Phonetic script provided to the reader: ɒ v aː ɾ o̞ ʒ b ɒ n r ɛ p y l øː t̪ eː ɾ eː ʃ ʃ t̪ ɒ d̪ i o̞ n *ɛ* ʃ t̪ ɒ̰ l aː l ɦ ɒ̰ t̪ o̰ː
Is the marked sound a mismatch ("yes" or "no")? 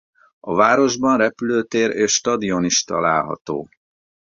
yes